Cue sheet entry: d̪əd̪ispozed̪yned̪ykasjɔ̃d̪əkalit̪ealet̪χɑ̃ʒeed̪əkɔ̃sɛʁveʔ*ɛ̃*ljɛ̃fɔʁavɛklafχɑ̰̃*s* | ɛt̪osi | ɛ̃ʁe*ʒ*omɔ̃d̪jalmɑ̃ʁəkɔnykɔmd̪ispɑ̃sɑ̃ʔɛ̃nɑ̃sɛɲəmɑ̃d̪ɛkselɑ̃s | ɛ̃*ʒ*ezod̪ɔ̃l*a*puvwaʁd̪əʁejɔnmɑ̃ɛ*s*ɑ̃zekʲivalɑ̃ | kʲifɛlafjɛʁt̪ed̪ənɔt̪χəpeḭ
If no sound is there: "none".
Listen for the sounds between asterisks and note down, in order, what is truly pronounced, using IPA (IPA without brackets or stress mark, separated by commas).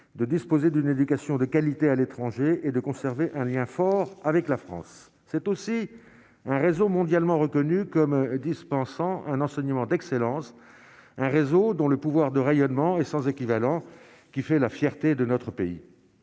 ɛ̃, sː, z, ʁ, ə, s